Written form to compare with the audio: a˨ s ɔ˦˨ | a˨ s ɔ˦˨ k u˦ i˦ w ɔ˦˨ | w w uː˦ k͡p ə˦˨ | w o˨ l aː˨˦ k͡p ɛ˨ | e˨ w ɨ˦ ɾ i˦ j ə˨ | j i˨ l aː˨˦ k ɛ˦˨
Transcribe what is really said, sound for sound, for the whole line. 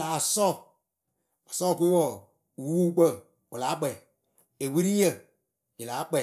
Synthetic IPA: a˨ s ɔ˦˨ | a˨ s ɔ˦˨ k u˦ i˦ w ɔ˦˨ | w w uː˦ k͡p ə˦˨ | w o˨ l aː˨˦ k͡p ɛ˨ | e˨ w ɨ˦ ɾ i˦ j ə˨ | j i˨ l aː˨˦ k͡p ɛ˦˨